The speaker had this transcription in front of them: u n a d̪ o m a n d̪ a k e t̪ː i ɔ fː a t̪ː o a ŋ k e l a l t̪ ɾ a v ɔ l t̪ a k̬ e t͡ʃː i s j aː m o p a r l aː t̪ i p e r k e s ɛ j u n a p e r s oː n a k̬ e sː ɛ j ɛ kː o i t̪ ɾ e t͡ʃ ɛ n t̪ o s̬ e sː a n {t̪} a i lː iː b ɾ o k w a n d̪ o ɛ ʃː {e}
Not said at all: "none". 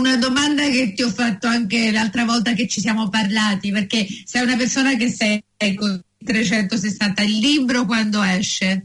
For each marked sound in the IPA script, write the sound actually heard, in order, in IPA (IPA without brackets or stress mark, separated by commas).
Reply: t̪, e